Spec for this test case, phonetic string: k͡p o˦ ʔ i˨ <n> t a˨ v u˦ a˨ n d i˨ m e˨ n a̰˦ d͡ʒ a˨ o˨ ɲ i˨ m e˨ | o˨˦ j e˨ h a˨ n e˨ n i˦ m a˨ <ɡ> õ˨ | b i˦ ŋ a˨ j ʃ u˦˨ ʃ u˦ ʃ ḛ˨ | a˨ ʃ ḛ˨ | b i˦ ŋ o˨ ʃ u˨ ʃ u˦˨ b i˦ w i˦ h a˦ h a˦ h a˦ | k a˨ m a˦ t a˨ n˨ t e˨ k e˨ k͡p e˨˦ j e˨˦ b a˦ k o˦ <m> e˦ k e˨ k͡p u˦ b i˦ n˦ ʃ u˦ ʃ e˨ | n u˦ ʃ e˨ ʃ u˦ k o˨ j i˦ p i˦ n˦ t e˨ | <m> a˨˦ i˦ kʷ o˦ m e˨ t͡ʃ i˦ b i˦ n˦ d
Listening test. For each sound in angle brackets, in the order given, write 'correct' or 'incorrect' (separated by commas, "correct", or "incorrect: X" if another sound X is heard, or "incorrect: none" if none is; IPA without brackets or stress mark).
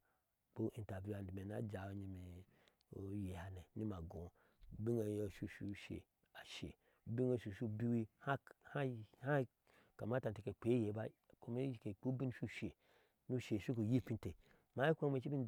correct, correct, correct, correct